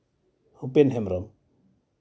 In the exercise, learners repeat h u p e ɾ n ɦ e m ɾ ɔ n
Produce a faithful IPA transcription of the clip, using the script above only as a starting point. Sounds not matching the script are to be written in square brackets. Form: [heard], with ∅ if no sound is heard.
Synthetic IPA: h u p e [∅] n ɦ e m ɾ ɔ [m]